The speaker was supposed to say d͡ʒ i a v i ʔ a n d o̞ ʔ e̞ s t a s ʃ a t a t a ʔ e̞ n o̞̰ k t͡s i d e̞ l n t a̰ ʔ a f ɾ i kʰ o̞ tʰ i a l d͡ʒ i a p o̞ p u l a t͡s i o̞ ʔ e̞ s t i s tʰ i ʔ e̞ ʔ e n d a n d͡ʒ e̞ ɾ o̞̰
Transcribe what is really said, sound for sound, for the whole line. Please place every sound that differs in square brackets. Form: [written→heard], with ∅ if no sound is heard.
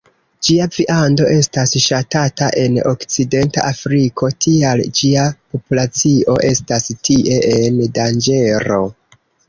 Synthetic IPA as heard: d͡ʒ i a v i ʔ a n d o̞ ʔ e̞ s t a s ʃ a t a t a ʔ e̞ n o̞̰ k t͡s i d e̞ [l→∅] n t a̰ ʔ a f ɾ i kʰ o̞ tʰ i a l d͡ʒ i a p o̞ p u l a t͡s i o̞ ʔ e̞ s t [i→a] s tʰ i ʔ e̞ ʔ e n d a n d͡ʒ e̞ ɾ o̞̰